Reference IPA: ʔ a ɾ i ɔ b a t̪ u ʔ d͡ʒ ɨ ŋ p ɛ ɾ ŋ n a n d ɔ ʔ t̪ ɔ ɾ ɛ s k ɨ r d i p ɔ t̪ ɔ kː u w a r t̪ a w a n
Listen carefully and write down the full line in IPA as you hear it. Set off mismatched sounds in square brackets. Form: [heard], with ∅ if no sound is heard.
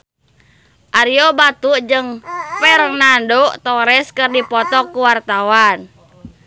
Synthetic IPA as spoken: ʔ a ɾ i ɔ b a t̪ u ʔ d͡ʒ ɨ ŋ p ɛ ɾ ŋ n a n d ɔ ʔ t̪ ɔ ɾ ɛ s k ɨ r d i p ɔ t̪ ɔ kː u w a r t̪ a w a n